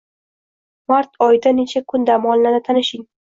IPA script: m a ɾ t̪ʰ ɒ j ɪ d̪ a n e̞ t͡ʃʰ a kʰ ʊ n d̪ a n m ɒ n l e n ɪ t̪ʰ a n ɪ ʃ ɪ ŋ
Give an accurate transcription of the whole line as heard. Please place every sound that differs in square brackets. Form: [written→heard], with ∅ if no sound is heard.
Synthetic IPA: m a ɾ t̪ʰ ɒ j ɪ d̪ a n e̞ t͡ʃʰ a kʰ ʊ n d̪ a [n→∅] m ɒ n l [e→a] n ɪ t̪ʰ a n ɪ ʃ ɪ ŋ